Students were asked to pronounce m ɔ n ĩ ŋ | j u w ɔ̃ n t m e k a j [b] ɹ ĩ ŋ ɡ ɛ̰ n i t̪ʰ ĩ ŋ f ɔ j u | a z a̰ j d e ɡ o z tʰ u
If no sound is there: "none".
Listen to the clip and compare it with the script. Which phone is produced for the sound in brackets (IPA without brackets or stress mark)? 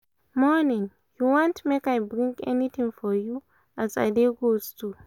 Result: b